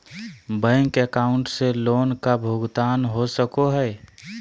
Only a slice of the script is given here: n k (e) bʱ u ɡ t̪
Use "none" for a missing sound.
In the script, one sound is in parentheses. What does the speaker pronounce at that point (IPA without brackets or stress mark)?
a